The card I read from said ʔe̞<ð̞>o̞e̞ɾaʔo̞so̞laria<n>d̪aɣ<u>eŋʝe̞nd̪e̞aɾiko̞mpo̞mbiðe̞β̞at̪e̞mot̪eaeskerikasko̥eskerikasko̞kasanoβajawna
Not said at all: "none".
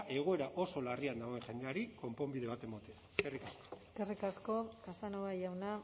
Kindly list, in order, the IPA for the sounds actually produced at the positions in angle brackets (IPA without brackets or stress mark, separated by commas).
ɣ̞, n, o